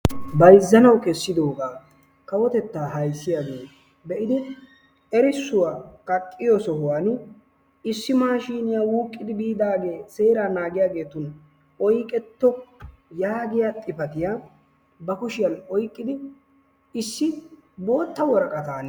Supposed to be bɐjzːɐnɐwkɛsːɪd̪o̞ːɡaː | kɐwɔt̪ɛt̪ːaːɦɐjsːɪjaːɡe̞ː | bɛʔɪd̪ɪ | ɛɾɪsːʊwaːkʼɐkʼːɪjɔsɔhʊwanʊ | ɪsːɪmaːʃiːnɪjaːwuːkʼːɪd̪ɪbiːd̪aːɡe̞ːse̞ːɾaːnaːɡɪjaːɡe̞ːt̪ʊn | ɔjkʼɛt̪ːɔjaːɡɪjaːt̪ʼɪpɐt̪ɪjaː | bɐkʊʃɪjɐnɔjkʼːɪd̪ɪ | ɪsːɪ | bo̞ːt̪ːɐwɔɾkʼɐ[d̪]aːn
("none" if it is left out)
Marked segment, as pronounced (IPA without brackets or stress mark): t̪